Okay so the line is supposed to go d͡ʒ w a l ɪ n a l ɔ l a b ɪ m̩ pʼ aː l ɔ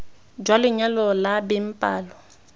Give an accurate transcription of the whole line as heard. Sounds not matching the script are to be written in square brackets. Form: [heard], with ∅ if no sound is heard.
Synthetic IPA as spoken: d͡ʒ w a l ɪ [ɲ] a l ɔ l a b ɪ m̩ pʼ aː l ɔ